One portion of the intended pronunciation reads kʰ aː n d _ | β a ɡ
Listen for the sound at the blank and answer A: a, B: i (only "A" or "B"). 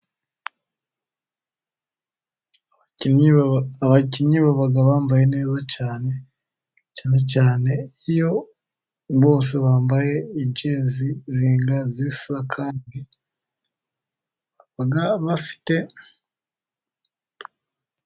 B